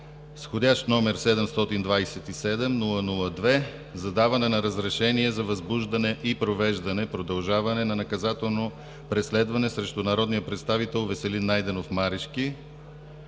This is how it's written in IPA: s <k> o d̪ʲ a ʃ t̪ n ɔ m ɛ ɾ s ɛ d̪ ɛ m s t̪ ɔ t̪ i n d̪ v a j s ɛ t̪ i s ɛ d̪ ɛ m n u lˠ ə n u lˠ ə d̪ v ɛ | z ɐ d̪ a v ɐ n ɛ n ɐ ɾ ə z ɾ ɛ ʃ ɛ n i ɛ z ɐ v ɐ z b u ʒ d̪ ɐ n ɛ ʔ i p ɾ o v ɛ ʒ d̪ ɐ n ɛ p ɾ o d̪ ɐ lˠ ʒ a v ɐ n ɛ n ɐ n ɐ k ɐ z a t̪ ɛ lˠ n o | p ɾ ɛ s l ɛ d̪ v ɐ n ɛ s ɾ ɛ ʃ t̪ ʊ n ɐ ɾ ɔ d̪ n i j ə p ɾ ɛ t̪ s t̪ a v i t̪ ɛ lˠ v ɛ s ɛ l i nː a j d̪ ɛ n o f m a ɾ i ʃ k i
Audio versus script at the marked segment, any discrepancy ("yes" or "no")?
yes